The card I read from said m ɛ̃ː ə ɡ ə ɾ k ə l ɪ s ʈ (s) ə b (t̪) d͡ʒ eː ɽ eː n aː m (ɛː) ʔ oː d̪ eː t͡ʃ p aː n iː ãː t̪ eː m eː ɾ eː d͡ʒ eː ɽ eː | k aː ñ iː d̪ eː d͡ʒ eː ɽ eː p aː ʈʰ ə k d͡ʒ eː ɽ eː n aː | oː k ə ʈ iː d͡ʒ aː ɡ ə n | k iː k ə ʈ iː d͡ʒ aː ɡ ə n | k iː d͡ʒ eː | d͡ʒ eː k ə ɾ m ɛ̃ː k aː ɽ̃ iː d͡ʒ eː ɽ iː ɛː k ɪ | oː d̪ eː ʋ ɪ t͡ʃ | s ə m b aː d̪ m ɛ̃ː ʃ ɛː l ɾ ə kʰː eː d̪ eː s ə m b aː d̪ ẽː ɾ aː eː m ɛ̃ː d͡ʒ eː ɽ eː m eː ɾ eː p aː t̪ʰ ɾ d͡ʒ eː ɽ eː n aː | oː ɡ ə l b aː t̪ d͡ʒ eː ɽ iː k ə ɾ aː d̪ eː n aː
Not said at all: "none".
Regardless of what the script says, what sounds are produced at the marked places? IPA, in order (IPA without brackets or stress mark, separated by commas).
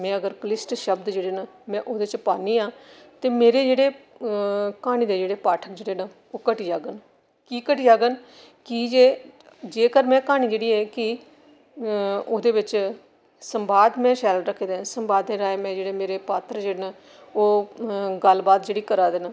ʃ, d̪, ɛ̃ː